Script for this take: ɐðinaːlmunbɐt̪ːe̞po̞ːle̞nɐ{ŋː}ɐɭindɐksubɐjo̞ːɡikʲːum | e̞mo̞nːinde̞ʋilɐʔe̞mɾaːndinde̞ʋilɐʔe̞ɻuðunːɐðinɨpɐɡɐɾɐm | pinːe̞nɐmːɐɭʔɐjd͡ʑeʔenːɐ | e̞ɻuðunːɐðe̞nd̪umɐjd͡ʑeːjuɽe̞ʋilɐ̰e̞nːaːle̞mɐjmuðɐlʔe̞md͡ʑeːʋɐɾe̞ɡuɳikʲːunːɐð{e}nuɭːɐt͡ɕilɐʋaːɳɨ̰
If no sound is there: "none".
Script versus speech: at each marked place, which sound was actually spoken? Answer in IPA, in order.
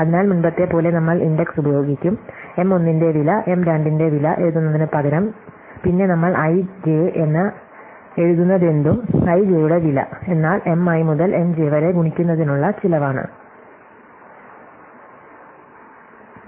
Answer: mː, i

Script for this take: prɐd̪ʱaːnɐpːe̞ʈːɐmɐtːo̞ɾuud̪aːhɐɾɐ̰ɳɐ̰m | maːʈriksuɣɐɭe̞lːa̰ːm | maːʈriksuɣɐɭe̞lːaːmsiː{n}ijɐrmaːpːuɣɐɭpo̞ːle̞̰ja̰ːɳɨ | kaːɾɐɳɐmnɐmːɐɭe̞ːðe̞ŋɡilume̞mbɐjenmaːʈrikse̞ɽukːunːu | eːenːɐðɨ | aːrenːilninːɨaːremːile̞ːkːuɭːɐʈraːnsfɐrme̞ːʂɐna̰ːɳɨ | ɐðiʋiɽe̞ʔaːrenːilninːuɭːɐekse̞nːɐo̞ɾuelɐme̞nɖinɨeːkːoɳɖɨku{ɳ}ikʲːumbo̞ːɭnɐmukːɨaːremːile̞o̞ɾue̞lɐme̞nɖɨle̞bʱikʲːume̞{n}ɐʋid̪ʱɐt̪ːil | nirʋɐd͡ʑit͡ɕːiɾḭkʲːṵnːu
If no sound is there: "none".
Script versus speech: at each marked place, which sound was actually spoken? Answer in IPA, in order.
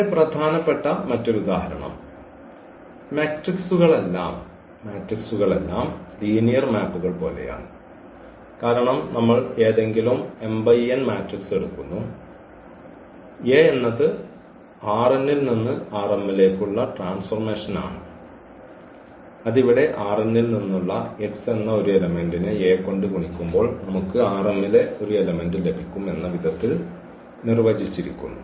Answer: n, ɳ, nː

